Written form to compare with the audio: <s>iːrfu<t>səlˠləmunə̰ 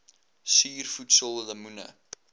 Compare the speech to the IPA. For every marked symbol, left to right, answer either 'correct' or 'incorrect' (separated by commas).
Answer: correct, correct